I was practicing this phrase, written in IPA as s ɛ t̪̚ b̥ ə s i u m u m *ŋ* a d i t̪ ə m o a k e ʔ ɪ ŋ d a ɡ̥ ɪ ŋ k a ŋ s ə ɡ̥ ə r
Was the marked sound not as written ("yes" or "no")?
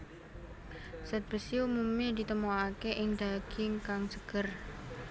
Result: yes